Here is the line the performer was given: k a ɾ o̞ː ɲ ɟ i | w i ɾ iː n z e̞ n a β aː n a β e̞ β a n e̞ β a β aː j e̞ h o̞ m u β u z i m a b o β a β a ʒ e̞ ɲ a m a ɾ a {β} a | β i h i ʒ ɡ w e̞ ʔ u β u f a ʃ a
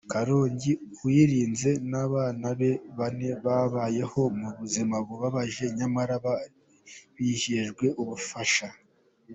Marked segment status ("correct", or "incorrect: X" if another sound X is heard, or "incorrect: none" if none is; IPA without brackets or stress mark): correct